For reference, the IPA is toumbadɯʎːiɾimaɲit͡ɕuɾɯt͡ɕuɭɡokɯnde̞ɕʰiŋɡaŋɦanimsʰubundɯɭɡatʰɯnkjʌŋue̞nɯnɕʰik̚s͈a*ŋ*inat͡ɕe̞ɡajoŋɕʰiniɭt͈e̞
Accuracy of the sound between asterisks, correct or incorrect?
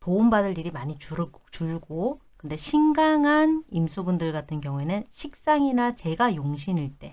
correct